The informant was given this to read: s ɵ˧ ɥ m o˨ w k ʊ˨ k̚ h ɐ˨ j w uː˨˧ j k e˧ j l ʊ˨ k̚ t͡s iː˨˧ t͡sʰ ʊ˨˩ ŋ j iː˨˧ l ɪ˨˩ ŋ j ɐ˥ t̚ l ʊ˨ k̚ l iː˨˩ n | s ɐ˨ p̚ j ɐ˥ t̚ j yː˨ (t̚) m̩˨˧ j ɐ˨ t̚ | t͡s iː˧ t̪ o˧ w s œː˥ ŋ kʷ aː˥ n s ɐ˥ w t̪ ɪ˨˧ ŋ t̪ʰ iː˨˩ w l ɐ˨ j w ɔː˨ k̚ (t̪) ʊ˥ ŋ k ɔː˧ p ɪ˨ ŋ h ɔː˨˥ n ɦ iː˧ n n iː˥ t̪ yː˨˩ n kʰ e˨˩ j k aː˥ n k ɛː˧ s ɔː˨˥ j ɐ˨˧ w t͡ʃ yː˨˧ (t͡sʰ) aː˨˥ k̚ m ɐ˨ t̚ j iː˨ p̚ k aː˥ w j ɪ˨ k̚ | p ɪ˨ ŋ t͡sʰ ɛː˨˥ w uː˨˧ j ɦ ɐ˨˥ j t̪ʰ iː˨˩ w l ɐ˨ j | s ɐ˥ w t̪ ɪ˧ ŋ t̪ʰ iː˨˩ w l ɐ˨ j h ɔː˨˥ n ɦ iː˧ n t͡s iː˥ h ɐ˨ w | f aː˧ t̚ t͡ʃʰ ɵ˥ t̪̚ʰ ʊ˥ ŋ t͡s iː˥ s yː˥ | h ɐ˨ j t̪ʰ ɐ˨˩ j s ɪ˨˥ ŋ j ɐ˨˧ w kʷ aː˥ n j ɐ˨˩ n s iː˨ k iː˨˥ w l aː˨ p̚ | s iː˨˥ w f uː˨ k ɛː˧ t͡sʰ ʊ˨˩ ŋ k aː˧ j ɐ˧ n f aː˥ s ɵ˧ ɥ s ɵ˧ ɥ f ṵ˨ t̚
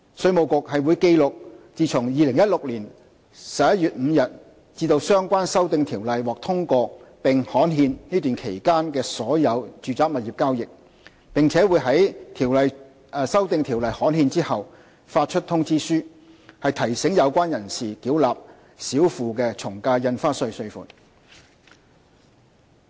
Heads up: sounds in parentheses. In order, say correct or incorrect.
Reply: correct, incorrect: t̪ʰ, incorrect: t͡s

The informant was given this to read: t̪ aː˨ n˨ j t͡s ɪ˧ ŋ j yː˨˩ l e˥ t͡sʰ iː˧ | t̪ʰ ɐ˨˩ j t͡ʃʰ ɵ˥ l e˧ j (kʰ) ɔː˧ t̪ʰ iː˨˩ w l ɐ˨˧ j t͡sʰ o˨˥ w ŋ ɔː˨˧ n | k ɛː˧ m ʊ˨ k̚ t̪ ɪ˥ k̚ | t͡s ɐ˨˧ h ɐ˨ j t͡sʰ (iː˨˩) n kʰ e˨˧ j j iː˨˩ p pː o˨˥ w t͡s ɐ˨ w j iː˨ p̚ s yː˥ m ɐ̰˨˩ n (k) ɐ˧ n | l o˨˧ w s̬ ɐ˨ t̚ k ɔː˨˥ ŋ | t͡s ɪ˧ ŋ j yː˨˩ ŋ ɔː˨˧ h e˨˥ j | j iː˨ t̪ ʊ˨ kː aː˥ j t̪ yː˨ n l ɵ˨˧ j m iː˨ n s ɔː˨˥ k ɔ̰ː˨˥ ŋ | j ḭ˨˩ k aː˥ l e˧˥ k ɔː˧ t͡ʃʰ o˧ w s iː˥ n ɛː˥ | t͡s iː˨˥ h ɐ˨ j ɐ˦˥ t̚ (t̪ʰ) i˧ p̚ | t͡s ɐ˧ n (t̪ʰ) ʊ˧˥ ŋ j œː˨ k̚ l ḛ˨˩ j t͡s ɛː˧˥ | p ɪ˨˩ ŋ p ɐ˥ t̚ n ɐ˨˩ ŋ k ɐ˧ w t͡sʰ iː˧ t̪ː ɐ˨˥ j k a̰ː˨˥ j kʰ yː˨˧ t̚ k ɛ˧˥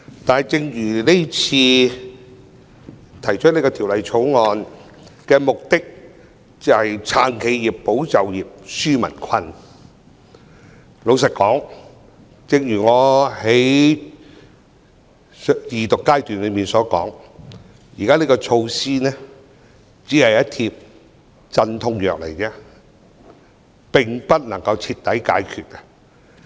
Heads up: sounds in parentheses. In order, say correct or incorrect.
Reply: incorrect: k, incorrect: aː˨˩, incorrect: kʰ, correct, correct

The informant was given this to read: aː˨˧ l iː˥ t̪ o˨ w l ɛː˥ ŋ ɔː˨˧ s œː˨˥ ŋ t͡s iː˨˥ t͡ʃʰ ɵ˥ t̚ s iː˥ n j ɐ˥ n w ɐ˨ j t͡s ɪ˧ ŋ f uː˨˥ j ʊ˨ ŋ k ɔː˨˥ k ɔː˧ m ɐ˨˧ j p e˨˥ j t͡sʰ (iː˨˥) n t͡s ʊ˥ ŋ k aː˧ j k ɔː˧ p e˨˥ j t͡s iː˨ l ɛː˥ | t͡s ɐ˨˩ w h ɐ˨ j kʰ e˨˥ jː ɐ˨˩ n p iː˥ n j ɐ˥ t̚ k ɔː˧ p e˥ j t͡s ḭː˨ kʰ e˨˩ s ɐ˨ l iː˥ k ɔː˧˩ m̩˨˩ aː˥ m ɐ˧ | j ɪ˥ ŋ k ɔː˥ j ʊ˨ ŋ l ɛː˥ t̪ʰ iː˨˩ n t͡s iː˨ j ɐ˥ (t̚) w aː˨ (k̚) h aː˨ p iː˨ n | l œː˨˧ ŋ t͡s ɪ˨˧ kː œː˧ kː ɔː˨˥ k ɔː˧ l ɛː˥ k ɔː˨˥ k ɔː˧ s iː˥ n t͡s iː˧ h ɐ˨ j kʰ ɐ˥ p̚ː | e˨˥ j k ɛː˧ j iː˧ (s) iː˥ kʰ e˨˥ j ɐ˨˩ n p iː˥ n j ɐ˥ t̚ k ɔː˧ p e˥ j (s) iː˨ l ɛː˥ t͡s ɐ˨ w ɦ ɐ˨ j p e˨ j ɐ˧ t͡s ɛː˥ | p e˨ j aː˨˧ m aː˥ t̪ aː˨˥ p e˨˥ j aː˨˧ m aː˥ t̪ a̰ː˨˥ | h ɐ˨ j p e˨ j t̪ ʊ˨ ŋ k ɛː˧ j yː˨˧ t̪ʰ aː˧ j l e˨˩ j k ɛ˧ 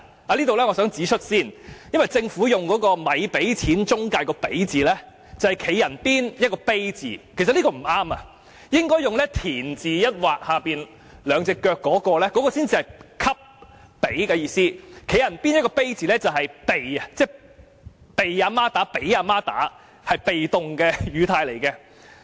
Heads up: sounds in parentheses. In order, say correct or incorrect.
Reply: correct, correct, correct, correct, incorrect: t͡s

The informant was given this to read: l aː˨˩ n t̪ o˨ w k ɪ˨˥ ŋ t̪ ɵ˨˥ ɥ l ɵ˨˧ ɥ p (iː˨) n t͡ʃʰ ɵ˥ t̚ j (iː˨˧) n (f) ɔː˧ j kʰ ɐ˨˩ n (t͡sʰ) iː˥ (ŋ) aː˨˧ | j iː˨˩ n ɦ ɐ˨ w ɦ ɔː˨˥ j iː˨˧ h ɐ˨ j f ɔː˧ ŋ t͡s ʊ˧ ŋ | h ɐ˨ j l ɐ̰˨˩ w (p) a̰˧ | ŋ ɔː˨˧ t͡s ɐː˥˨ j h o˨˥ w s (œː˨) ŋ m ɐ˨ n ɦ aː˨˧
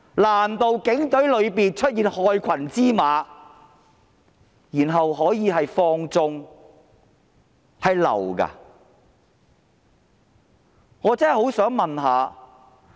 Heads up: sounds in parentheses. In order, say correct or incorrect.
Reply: correct, correct, incorrect: h, incorrect: t͡s, incorrect: m, incorrect: k, incorrect: œː˨˥

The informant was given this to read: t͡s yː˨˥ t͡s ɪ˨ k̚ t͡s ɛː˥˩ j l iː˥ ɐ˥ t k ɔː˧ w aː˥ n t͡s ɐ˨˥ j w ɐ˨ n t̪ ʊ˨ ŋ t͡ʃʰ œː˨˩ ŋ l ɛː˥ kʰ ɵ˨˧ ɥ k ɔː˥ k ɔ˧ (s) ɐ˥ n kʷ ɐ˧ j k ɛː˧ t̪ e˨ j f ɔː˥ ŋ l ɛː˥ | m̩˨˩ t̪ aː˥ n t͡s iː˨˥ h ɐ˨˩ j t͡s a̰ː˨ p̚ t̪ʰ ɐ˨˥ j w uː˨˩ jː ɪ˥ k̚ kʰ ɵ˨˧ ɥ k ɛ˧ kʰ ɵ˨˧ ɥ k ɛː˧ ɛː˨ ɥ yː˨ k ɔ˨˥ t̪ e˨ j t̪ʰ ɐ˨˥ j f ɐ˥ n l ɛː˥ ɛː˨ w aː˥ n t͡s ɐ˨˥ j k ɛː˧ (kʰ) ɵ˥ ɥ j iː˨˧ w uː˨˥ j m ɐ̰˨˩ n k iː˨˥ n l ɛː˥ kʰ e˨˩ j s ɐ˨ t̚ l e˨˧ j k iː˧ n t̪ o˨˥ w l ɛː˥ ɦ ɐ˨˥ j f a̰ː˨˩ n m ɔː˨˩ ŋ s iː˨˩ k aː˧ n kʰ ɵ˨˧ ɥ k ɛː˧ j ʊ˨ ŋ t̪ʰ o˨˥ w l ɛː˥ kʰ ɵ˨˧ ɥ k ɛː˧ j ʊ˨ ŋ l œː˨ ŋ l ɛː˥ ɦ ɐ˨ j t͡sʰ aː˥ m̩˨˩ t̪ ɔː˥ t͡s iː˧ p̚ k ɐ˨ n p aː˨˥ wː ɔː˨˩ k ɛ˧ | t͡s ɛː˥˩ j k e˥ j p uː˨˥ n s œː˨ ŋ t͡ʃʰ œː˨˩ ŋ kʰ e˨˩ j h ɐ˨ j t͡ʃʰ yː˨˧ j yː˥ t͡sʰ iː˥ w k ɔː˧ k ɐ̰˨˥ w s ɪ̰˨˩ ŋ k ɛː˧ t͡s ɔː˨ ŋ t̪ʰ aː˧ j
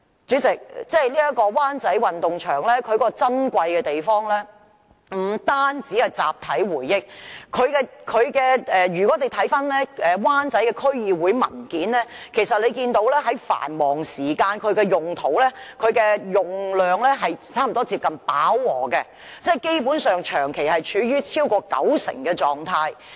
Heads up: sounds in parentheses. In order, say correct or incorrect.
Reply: incorrect: t͡s, correct

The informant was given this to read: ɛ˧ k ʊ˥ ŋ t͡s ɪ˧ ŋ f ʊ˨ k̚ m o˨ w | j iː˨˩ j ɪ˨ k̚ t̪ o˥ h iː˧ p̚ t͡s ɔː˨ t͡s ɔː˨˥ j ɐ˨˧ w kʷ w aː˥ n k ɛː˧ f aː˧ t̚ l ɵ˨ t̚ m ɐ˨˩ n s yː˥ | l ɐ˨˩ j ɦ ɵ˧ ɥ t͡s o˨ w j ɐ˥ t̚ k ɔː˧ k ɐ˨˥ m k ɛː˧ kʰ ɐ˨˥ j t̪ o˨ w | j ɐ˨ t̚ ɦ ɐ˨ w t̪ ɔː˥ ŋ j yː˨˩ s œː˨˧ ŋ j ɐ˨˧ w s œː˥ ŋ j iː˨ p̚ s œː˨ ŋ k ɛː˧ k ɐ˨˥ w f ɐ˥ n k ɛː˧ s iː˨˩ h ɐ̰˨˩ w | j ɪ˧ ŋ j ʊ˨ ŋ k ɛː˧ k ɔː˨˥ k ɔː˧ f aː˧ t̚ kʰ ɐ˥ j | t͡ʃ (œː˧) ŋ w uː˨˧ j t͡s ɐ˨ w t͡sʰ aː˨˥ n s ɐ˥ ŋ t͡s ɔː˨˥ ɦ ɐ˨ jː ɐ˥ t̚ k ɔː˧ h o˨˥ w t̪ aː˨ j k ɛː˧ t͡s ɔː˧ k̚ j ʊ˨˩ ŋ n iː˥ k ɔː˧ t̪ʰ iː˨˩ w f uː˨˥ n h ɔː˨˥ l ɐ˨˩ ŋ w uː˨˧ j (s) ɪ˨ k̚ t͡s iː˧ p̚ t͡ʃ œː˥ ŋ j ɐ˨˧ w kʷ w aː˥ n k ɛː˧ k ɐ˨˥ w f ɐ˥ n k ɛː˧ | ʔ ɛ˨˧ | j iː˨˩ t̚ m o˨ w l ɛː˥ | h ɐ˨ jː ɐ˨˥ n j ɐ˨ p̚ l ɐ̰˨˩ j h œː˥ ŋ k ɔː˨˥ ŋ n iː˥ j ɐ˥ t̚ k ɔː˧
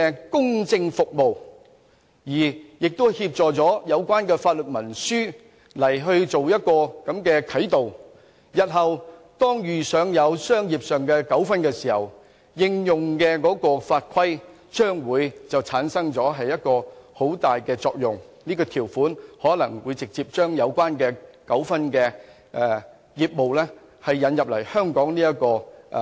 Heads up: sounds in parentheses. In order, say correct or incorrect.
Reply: incorrect: œː˥, incorrect: t͡s

